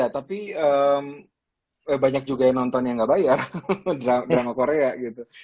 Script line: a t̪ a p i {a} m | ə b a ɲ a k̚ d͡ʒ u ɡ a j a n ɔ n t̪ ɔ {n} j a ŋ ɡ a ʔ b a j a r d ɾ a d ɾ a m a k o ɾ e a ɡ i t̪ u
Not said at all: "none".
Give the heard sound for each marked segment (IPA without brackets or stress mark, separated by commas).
ə, n